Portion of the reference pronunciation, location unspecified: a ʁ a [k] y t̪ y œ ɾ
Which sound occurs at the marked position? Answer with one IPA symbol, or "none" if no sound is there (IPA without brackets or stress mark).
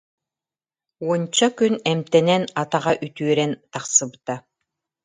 ʔ